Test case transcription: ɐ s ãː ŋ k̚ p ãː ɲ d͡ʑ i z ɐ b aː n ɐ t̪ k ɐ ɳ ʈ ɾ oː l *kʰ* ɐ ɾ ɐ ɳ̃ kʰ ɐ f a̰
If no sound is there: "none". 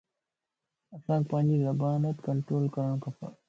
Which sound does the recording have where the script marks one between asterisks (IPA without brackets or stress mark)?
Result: k